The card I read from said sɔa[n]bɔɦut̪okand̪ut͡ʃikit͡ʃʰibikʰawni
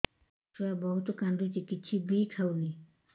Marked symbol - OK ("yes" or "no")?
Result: no